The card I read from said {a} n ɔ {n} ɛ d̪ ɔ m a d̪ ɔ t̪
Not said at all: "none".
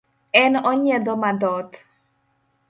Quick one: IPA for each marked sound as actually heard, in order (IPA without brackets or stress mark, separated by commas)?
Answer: ɛ, ɲ